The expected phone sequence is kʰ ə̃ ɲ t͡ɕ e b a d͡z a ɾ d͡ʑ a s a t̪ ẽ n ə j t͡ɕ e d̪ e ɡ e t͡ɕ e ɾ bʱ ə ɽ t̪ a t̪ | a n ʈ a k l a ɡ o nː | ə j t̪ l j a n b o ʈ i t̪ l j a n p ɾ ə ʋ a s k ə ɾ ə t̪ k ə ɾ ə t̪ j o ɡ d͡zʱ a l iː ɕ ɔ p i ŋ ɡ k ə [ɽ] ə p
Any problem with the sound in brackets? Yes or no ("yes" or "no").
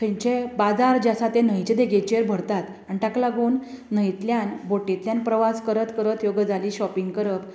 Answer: yes